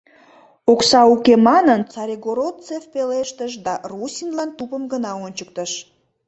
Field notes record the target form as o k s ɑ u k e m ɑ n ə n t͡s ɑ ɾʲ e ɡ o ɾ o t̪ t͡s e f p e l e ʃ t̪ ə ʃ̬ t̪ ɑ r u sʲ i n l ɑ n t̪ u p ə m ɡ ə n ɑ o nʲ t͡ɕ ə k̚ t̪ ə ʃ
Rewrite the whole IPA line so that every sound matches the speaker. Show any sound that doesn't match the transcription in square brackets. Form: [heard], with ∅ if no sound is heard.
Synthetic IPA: o k s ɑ u k e m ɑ n ə n t͡s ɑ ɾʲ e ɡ o ɾ o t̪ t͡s e f p e l e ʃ t̪ ə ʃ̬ [d̪] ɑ r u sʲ i n l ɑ n t̪ u p ə m ɡ ə n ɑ o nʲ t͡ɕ ə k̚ t̪ ə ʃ